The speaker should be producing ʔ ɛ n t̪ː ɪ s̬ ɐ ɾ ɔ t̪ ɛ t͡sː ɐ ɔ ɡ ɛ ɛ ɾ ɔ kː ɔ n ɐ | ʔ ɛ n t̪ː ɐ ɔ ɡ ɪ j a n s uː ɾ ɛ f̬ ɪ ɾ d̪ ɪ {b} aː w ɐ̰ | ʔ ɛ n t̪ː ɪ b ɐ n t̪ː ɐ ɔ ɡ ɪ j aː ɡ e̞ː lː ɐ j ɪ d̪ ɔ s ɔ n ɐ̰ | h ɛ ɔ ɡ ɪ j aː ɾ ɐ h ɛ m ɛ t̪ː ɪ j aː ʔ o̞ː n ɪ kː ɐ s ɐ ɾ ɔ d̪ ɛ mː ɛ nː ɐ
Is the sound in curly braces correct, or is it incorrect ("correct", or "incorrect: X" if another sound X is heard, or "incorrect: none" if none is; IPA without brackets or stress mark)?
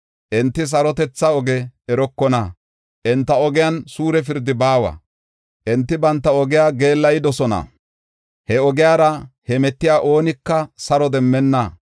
correct